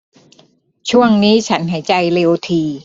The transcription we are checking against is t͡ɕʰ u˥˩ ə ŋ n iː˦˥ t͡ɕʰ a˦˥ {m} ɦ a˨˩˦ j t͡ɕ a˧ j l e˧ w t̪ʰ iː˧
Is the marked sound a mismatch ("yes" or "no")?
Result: yes